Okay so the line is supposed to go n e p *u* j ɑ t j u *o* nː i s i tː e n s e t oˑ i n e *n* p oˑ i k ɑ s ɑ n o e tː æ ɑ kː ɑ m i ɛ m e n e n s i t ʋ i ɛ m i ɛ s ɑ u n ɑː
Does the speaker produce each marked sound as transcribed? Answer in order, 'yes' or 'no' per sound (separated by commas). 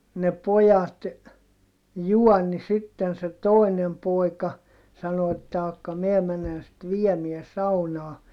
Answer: no, no, no